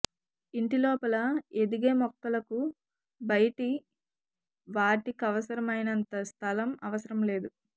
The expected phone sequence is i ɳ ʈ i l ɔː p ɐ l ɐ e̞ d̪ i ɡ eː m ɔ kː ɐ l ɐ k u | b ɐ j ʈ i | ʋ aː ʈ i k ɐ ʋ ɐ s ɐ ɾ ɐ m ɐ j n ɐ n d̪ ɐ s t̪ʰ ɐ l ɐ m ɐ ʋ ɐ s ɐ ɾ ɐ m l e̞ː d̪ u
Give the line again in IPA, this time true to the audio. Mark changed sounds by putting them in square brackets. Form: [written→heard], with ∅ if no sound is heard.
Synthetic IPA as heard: i ɳ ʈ i l ɔː p ɐ l ɐ e̞ d̪ i ɡ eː m ɔ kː ɐ l ɐ k u | b ɐ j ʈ i | ʋ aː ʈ i k ɐ ʋ ɐ s ɐ ɾ ɐ m ɐ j n ɐ n [d̪→t̪] ɐ s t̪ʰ ɐ l ɐ m ɐ ʋ ɐ s ɐ ɾ ɐ m l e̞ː d̪ u